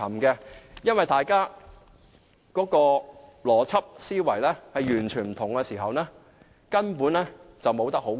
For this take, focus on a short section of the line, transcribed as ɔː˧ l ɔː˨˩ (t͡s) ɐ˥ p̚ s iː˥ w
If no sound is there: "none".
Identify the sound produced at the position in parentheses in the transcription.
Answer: t͡sʰ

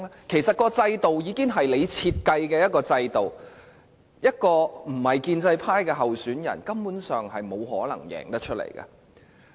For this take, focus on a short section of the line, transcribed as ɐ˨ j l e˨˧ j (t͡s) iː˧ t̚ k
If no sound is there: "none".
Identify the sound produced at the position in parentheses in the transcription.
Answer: t͡sʰ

